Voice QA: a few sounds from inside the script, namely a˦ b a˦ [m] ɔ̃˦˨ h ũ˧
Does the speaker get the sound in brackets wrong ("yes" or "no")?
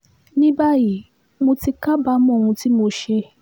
no